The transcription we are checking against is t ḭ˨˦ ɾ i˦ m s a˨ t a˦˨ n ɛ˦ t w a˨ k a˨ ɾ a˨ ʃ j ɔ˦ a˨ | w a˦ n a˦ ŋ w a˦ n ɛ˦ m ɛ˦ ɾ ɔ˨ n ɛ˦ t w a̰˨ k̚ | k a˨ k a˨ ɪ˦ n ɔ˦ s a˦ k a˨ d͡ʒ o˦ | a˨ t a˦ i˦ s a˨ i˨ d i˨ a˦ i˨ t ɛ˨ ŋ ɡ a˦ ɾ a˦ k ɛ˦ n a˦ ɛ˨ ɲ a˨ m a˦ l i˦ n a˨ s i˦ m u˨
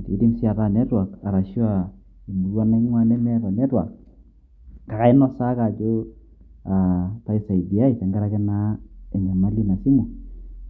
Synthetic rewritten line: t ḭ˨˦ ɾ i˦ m s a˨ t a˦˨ n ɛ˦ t w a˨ k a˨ ɾ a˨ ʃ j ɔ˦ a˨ | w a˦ n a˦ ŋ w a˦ n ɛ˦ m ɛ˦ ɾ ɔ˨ n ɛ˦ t w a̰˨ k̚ | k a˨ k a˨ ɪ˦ n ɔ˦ s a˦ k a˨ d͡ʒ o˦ | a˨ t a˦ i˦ s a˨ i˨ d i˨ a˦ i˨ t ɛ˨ ŋ ɡ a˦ ɾ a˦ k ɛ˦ n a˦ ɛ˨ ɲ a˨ m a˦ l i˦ n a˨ s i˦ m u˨